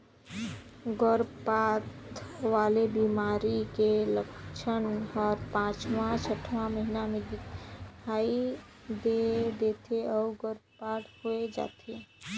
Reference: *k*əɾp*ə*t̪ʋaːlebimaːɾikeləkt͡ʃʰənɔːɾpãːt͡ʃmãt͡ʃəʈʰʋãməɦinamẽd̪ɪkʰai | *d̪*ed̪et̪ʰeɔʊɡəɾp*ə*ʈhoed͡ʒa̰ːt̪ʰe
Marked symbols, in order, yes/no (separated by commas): no, no, yes, no